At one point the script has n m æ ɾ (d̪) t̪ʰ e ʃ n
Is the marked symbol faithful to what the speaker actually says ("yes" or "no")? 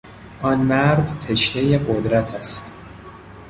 yes